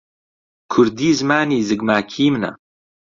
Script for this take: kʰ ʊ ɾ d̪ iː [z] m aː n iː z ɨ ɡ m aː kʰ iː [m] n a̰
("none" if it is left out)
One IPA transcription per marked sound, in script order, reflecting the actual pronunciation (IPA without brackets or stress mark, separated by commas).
z, m